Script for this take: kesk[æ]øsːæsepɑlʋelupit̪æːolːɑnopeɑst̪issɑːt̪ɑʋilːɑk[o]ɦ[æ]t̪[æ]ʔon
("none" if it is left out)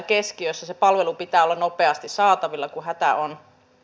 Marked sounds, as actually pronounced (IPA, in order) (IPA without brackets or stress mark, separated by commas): i, u, æ, æ